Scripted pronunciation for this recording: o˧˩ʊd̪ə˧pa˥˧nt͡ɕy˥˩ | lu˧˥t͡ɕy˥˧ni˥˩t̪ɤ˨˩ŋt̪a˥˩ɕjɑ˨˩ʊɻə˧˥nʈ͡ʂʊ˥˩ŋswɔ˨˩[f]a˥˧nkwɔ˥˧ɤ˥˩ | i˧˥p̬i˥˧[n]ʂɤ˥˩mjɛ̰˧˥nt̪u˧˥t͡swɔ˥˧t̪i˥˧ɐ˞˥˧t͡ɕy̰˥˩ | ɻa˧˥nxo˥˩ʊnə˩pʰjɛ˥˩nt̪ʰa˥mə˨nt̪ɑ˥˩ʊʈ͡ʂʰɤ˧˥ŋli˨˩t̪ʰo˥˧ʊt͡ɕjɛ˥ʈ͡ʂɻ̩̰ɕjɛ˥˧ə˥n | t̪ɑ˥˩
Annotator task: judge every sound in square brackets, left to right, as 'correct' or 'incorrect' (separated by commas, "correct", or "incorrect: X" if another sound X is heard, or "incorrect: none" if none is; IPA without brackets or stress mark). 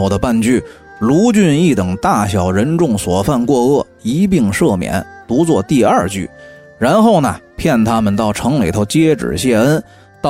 correct, incorrect: ŋ